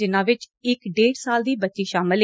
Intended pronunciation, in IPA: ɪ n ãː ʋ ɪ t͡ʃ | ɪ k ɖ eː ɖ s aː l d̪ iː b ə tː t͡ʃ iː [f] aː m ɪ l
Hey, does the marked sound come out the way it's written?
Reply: no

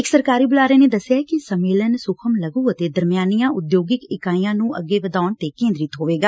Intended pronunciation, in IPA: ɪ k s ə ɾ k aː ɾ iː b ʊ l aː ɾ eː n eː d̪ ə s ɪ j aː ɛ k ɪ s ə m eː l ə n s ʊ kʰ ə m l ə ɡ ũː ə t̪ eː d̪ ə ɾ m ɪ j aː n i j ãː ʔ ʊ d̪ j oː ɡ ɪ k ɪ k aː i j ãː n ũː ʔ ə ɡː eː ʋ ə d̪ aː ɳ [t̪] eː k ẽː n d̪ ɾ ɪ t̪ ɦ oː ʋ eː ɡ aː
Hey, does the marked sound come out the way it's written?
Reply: yes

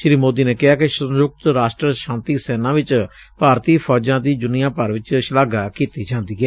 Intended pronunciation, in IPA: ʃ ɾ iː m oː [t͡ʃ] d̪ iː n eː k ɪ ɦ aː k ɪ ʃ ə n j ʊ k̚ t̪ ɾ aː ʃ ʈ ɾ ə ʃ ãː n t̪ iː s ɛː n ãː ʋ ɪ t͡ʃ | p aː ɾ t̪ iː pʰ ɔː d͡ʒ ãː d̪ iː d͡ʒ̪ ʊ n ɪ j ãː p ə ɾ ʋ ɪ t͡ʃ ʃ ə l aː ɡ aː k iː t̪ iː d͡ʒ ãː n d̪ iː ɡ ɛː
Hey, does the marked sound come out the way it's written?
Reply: no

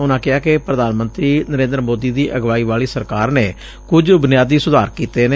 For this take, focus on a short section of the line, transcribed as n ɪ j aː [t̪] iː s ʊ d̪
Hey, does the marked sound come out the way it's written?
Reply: no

